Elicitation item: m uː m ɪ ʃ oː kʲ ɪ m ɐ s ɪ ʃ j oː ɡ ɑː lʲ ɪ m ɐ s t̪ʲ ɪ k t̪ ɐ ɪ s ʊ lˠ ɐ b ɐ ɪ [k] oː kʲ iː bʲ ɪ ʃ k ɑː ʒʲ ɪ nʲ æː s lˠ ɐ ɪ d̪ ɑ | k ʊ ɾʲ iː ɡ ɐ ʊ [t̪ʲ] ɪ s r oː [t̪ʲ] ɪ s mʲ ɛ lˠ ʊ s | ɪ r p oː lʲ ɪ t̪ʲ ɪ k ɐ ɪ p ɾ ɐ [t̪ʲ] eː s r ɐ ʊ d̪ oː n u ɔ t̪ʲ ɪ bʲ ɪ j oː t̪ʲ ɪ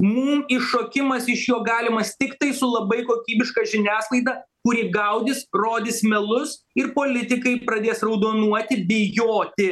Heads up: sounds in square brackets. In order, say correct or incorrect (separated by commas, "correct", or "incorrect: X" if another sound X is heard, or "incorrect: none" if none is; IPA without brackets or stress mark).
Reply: correct, incorrect: d̪ʲ, incorrect: d̪ʲ, incorrect: d̪ʲ